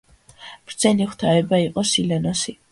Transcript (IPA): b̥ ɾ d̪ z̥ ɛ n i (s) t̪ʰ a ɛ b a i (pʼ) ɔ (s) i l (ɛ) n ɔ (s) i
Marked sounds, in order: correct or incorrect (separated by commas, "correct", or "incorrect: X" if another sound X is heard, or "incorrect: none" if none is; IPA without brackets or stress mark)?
incorrect: χ, incorrect: qʼ, correct, correct, correct